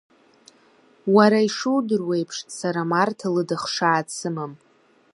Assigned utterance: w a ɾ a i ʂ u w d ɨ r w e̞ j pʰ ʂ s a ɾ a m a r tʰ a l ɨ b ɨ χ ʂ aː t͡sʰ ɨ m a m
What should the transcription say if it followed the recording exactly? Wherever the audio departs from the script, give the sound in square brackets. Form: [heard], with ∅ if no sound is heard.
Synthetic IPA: w a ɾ a i ʂ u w d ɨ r w e̞ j pʰ ʂ s a ɾ a m a r tʰ a l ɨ [d] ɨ χ ʂ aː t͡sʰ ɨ m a m